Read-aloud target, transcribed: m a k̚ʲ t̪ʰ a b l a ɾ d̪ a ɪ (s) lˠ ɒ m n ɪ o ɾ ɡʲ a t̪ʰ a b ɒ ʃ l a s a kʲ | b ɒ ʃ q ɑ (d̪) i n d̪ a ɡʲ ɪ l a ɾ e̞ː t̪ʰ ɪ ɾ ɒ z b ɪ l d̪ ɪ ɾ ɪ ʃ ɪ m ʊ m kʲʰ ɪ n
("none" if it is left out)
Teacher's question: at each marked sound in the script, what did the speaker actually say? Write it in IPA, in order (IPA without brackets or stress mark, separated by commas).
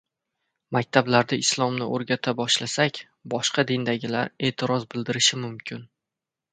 s, d̪